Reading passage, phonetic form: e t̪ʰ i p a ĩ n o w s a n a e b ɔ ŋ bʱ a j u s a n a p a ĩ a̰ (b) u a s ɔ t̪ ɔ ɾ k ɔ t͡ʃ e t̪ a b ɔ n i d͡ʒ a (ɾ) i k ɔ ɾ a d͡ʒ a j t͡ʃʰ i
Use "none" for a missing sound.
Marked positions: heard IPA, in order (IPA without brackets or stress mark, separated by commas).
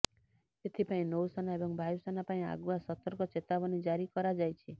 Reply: ɡ, ɾ